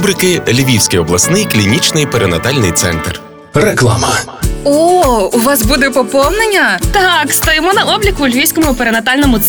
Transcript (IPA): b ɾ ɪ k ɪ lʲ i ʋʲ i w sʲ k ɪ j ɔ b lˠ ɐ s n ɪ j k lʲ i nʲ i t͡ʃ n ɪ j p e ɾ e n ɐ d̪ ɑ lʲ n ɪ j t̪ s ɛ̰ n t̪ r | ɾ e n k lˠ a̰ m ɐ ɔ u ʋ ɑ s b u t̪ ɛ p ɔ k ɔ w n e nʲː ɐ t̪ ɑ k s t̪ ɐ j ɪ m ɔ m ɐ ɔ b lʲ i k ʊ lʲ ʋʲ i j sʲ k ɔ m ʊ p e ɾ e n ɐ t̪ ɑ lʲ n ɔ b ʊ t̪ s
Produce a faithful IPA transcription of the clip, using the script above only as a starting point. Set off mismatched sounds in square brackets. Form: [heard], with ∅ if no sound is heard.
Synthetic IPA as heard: b ɾ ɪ k ɪ lʲ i ʋʲ i w sʲ k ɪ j ɔ b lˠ ɐ s n ɪ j k lʲ i nʲ i t͡ʃ n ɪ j p e ɾ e n ɐ [t̪] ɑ lʲ n ɪ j t̪ s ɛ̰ n t̪ r | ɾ e [∅] k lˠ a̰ m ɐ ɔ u ʋ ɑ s b u [d̪] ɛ p ɔ [p] ɔ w n e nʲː ɐ t̪ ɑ k s t̪ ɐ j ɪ m ɔ [n] ɐ ɔ b lʲ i k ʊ lʲ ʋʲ i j sʲ k ɔ m ʊ p e ɾ e n ɐ t̪ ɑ lʲ n ɔ [m] ʊ t̪ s